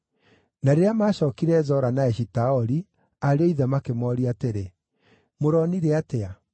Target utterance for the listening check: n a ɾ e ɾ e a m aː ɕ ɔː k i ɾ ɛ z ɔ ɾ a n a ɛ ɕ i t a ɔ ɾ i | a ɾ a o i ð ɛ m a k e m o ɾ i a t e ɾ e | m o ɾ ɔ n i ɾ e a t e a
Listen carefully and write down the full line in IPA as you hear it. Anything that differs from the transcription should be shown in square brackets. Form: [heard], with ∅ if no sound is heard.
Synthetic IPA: n a ɾ e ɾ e a m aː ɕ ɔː k i ɾ ɛ z ɔ ɾ a n a ɛ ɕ i t a ɔ ɾ i | a ɾ [e] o i ð ɛ m a k e m [ɔ] ɾ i a t e ɾ e | m o ɾ ɔ n i ɾ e a t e a